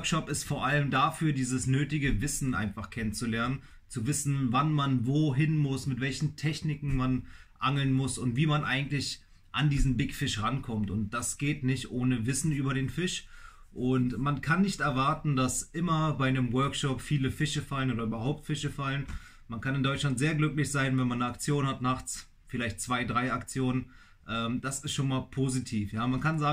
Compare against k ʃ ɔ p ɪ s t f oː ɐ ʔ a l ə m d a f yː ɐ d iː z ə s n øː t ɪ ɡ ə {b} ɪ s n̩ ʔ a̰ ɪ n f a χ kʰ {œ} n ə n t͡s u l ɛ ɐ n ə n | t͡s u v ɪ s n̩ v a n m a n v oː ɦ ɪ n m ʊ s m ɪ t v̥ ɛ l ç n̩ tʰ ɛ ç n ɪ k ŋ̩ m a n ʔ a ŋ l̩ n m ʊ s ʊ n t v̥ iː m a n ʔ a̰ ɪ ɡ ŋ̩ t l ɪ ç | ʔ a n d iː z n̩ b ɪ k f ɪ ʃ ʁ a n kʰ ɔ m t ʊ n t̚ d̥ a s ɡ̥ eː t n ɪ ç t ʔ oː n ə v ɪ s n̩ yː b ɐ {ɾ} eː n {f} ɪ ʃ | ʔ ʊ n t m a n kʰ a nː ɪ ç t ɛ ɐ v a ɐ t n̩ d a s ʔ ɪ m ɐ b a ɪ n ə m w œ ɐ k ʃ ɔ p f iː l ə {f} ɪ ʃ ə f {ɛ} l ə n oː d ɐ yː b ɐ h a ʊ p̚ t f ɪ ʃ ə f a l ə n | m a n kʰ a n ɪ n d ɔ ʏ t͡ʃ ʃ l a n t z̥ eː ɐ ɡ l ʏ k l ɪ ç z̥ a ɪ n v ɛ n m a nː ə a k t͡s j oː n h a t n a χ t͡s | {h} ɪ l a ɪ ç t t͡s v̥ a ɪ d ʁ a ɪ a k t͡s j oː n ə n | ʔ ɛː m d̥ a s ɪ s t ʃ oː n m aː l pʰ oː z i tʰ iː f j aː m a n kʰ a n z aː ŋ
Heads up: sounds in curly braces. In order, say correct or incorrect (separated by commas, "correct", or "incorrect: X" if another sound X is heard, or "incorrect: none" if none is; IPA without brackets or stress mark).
incorrect: v, incorrect: ɛ, correct, correct, correct, incorrect: a, incorrect: f